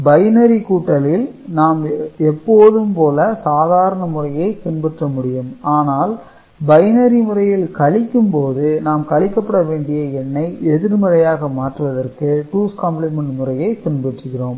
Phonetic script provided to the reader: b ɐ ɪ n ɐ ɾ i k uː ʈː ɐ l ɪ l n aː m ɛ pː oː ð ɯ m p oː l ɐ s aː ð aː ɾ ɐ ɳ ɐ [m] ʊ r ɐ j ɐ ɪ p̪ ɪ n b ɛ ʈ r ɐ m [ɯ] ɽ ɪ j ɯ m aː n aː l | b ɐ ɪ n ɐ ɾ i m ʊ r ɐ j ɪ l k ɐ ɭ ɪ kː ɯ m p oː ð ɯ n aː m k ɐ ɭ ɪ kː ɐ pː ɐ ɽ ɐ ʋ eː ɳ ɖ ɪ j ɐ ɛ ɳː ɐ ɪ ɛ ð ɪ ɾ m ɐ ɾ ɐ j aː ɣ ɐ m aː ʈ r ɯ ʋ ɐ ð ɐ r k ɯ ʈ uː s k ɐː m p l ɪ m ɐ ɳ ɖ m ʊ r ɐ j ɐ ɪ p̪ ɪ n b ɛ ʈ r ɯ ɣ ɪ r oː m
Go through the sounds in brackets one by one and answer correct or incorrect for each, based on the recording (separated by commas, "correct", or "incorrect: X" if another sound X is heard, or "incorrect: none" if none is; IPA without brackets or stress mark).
correct, incorrect: ʊ